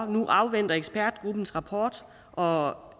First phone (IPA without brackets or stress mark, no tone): n